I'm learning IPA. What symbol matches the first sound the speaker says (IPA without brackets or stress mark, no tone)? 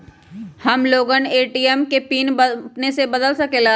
h